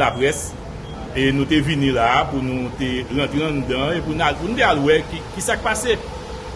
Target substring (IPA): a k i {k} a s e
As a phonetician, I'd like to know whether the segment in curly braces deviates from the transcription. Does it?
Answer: yes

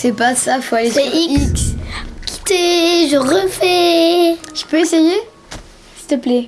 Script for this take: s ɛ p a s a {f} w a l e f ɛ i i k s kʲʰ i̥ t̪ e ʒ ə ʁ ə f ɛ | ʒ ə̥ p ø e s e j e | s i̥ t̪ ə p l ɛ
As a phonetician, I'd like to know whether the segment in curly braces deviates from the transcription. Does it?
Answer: no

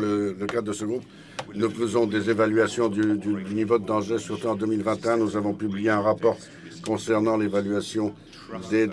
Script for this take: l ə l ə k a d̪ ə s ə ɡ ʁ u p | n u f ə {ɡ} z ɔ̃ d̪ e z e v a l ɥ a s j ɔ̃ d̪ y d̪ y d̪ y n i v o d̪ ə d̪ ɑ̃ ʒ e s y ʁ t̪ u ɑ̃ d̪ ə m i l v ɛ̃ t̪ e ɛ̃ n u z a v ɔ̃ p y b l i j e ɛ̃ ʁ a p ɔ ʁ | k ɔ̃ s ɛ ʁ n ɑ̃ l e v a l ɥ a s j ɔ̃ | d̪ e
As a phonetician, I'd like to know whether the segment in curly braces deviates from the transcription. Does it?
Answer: yes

